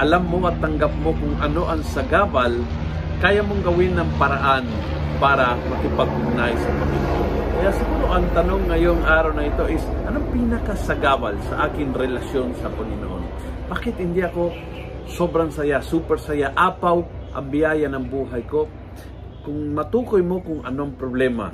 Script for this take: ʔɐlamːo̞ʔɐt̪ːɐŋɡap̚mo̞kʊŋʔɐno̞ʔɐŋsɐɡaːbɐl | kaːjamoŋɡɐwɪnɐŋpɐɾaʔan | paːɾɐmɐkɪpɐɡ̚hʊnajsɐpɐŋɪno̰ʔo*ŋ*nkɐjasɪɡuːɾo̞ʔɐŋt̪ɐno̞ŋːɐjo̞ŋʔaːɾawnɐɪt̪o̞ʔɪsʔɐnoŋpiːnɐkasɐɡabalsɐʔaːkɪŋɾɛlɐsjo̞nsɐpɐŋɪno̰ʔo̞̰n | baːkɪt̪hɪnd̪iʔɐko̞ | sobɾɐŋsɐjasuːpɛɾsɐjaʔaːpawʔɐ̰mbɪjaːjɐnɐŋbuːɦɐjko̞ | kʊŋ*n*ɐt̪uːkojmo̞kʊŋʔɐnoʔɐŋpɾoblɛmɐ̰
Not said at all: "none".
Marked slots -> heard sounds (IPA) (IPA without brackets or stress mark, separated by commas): n, m